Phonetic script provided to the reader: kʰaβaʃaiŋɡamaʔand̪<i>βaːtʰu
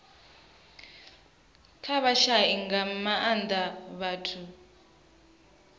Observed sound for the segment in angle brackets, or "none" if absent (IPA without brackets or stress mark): a